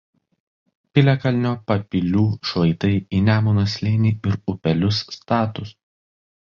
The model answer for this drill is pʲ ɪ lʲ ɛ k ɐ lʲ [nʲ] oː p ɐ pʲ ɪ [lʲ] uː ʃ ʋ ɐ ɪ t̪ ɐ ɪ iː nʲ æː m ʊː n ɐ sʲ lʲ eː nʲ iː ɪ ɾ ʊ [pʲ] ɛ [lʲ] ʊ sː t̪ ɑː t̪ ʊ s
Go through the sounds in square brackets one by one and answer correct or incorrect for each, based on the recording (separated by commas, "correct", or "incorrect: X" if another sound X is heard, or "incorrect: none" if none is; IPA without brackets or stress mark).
correct, correct, correct, correct